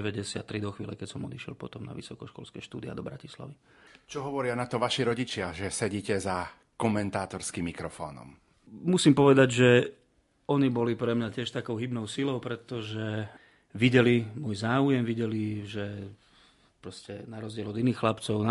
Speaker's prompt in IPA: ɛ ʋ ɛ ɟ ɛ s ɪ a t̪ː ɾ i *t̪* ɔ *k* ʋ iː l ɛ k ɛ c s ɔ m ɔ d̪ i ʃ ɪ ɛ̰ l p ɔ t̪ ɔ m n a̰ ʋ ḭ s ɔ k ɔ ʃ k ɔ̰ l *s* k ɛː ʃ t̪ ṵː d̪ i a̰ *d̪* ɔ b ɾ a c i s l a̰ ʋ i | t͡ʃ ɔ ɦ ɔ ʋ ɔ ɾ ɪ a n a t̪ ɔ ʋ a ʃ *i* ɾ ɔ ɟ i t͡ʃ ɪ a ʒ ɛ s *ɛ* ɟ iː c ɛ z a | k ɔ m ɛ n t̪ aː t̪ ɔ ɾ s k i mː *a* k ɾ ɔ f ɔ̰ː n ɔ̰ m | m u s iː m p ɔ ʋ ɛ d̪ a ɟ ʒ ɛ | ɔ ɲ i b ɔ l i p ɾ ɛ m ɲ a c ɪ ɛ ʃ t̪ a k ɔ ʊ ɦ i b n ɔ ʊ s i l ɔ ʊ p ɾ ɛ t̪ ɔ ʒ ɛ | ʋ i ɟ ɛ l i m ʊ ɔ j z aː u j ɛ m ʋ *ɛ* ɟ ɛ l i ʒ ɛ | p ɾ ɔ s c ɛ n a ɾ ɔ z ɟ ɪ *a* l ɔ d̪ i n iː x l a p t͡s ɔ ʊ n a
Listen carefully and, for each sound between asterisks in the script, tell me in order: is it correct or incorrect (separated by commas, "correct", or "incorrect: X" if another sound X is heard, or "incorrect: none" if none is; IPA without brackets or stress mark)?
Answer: incorrect: d̪, incorrect: x, correct, correct, correct, correct, incorrect: i, incorrect: i, incorrect: ɛ